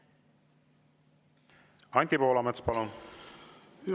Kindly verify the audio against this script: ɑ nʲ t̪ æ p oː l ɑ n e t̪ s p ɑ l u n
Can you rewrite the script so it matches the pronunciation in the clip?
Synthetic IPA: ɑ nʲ t̪ i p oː l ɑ m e t̪ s p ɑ l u n